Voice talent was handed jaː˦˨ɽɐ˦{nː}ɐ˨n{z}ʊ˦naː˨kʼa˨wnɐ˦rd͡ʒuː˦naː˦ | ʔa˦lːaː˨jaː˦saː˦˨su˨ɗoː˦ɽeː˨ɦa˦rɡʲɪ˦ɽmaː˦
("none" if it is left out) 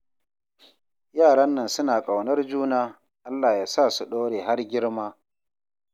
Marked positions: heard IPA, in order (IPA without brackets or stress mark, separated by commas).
nː, s